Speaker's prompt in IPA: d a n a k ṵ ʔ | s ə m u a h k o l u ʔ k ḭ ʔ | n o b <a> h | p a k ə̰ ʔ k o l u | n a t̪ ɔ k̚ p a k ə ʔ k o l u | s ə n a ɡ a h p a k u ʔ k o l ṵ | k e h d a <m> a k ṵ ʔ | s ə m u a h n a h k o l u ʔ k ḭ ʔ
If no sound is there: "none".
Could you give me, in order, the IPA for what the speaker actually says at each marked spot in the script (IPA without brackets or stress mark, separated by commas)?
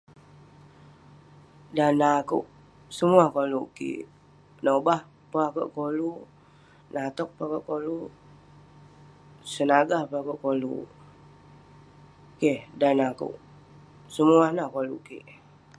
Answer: a, n